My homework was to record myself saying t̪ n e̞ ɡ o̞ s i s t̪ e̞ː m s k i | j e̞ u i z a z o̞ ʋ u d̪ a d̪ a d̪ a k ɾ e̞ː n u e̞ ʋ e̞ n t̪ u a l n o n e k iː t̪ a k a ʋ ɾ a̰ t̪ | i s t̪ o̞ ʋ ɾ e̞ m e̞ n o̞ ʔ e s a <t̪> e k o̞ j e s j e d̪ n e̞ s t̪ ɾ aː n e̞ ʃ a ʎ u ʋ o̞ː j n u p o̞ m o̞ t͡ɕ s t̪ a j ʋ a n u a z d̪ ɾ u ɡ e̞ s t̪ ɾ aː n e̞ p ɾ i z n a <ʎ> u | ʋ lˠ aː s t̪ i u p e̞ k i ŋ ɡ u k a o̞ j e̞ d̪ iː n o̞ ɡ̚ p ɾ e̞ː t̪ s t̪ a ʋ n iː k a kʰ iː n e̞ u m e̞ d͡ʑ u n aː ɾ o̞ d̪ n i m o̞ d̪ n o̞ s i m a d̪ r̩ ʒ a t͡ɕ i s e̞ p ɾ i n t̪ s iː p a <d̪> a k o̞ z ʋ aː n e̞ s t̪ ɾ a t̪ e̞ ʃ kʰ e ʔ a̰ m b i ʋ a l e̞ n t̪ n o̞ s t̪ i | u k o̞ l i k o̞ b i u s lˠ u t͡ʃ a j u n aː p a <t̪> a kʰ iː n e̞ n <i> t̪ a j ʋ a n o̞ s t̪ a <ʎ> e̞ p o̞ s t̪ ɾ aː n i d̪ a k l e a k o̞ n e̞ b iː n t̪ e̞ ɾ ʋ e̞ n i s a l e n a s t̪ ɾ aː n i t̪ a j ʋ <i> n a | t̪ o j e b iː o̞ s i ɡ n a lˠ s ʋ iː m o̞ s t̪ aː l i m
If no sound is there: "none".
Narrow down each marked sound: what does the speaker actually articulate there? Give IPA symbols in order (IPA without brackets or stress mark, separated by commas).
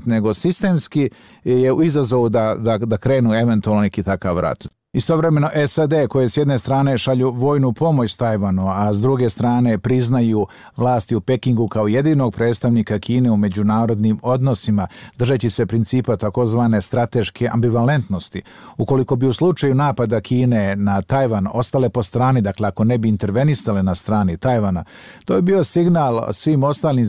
d̪, j, t̪, d̪, a, l, a